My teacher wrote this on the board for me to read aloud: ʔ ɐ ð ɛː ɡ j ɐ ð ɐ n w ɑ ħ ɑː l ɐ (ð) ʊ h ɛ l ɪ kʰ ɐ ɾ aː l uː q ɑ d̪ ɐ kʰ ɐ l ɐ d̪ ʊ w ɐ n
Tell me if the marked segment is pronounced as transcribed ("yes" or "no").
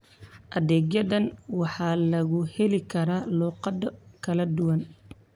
no